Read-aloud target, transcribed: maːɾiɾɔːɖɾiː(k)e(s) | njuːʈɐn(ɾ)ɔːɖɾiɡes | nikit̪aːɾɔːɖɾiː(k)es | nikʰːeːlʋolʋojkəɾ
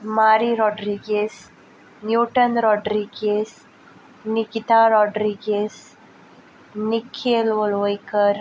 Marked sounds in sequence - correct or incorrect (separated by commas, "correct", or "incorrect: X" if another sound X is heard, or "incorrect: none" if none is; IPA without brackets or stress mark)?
incorrect: ɡ, correct, correct, incorrect: ɡ